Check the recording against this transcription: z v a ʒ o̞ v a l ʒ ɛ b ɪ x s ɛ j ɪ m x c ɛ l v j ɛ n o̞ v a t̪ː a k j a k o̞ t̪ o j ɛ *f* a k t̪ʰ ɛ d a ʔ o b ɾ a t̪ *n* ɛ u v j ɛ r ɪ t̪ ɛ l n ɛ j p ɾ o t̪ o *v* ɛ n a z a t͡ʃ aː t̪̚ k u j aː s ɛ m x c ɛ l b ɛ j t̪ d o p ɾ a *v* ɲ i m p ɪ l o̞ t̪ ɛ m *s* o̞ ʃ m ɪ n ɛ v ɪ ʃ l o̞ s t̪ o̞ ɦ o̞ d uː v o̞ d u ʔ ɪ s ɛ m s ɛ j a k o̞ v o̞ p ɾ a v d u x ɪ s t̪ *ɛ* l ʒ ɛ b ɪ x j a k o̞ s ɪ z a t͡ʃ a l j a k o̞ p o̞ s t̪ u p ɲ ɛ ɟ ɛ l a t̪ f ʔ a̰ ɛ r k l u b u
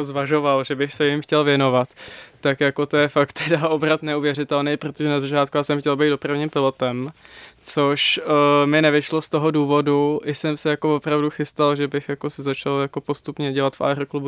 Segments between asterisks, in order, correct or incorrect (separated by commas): correct, correct, incorrect, correct, incorrect, incorrect